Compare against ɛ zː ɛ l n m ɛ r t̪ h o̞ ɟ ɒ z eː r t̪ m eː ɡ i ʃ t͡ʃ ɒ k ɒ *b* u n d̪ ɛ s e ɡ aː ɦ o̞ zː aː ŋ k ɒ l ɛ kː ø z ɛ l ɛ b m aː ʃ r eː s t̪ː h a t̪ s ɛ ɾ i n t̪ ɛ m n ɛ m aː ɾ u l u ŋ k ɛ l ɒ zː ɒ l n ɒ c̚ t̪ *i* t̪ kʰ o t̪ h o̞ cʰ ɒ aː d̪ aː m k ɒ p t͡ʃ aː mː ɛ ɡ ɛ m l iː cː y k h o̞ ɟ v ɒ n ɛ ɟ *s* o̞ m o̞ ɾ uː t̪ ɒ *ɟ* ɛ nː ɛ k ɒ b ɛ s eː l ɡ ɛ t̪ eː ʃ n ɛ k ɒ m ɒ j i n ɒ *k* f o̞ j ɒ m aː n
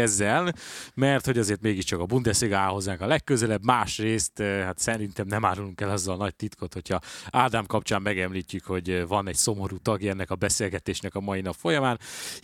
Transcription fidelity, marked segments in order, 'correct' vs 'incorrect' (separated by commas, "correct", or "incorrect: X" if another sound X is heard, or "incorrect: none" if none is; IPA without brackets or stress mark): correct, correct, correct, incorrect: ɡ, incorrect: p